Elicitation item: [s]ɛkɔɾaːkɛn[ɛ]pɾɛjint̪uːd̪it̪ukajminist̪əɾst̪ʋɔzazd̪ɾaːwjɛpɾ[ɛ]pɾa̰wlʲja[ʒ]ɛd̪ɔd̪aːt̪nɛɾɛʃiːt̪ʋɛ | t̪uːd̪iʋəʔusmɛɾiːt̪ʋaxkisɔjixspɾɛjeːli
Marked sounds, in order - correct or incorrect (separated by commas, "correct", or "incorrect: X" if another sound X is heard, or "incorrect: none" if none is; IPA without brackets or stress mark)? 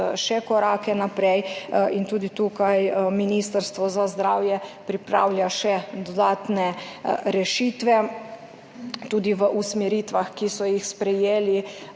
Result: incorrect: ʃ, incorrect: a, incorrect: i, incorrect: ʃ